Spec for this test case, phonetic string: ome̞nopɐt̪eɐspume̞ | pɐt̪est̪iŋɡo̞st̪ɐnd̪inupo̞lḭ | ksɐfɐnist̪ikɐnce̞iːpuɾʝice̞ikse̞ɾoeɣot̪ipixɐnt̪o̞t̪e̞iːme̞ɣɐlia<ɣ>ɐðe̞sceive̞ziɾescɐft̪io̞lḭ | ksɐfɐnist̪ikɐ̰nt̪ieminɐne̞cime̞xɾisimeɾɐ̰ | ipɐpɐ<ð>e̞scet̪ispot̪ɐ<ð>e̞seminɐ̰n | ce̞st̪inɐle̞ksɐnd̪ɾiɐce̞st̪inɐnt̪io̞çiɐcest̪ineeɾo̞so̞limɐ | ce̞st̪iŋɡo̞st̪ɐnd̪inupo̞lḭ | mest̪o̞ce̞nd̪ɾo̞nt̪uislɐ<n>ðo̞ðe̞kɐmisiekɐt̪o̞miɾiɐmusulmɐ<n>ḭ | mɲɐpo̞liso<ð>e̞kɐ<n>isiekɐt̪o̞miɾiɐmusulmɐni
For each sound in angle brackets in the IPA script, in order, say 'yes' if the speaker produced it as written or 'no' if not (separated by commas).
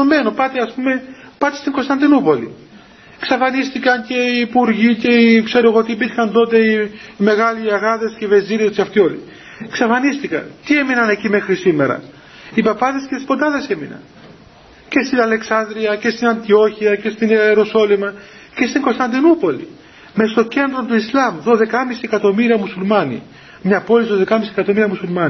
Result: yes, yes, yes, no, yes, yes, no